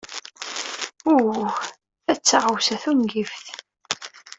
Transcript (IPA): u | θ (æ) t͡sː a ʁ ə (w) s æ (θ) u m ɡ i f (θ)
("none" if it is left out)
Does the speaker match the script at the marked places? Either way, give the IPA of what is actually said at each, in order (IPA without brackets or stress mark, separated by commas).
æ, w, θ, θ